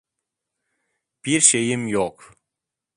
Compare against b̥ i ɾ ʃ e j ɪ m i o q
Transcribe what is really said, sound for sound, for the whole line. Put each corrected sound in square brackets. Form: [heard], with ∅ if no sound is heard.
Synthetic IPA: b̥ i ɾ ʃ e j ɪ m [j] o q

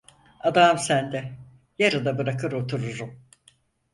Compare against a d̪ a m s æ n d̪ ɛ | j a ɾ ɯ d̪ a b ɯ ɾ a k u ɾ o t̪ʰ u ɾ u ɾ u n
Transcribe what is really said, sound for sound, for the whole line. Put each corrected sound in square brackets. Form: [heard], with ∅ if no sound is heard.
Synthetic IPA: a d̪ a m s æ n d̪ ɛ | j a ɾ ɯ d̪ a b ɯ ɾ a k [ɯ] ɾ o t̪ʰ u ɾ u ɾ u [m]

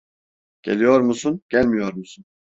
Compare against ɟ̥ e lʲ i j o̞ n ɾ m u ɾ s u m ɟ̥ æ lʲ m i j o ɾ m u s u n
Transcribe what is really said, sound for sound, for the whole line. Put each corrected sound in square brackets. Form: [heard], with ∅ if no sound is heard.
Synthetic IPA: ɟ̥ e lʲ i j o̞ [∅] ɾ m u [∅] s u [n] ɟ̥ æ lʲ m i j o ɾ m u s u n

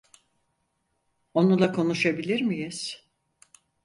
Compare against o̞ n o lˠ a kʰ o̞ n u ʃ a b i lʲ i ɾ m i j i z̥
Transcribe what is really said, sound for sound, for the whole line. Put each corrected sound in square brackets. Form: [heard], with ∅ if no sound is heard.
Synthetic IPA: o̞ n [u] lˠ a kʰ o̞ n u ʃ a b i lʲ i ɾ m i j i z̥

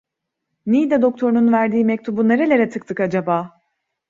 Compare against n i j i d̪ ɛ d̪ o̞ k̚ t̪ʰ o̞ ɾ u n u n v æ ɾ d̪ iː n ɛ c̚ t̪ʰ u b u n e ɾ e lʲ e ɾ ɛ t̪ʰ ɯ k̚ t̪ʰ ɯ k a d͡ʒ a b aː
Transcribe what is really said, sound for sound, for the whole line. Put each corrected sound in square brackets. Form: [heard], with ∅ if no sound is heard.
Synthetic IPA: n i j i d̪ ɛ d̪ o̞ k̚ t̪ʰ o̞ ɾ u n u n v æ ɾ d̪ iː [m] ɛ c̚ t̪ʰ u b u n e ɾ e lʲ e ɾ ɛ t̪ʰ ɯ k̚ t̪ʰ ɯ k a d͡ʒ a b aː

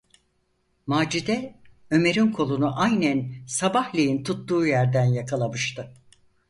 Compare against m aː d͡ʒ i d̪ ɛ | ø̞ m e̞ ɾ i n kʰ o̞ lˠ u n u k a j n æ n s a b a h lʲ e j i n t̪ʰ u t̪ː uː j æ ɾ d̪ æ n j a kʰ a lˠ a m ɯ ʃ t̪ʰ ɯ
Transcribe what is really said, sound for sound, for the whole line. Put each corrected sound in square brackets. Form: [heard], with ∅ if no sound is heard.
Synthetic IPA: m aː d͡ʒ i d̪ ɛ | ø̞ m e̞ ɾ i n kʰ o̞ lˠ u n u [ʔ] a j n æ n s a b a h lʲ e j i n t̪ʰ u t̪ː uː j æ ɾ d̪ æ n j a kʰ a lˠ a m ɯ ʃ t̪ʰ ɯ

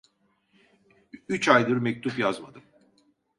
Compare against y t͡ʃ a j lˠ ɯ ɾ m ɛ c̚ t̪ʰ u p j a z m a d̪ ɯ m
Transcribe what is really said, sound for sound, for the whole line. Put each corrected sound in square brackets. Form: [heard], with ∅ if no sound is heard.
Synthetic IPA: y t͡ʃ a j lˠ ɯ ɾ m ɛ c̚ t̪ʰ u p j a z m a d̪ ɯ m

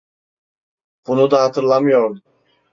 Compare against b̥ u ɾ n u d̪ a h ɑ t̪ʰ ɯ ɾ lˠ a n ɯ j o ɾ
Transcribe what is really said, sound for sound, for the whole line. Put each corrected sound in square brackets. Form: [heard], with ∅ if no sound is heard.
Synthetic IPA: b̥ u [∅] n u d̪ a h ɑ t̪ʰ ɯ ɾ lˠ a [m] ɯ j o ɾ

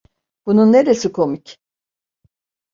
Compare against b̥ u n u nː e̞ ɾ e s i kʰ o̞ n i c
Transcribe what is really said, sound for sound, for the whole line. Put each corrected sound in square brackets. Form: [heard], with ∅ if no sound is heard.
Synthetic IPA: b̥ u n u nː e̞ ɾ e s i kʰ o̞ [m] i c

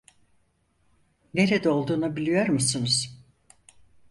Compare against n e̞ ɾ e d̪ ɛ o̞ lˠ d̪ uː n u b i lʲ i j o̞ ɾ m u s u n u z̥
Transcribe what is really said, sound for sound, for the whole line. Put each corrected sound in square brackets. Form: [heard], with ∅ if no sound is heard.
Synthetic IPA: n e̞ ɾ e d̪ ɛ o̞ lˠ d̪ uː n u b i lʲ i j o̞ ɾ m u s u n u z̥

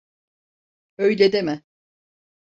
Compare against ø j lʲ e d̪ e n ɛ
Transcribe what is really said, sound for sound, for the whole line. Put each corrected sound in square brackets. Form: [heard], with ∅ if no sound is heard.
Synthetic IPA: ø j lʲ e d̪ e [m] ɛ

